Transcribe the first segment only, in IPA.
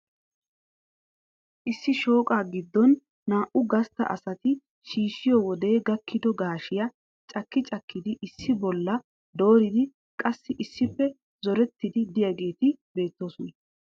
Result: ʔ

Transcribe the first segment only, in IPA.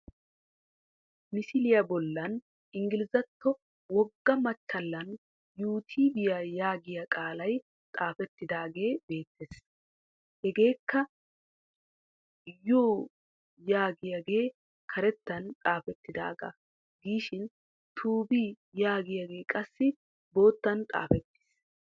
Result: m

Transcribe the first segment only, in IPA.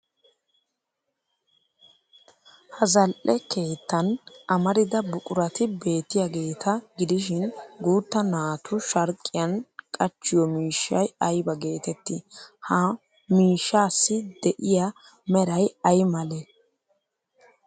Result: h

